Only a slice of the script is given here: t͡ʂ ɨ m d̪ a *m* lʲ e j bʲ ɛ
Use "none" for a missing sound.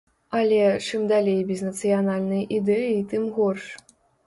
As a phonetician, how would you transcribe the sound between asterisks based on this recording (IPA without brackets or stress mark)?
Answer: none